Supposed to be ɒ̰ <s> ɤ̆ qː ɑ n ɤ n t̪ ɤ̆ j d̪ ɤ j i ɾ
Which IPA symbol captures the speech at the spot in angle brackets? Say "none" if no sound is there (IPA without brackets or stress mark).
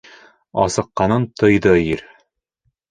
s